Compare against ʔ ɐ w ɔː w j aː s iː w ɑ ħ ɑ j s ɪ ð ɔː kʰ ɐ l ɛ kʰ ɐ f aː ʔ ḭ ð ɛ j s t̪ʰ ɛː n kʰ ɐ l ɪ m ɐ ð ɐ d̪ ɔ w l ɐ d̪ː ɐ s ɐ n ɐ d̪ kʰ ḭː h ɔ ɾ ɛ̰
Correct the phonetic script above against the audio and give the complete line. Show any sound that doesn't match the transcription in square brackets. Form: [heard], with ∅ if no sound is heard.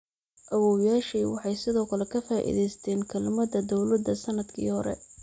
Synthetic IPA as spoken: ʔ ɐ w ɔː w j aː [ʃ] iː w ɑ ħ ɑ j s ɪ ð ɔː kʰ ɐ l ɛ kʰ ɐ f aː ʔ ḭ ð ɛ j s t̪ʰ ɛː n kʰ ɐ l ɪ m ɐ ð ɐ d̪ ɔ w l ɐ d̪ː ɐ s ɐ n ɐ d̪ kʰ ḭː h ɔ ɾ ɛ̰